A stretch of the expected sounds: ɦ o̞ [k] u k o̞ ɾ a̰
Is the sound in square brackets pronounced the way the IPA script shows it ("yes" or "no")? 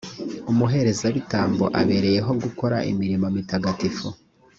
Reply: no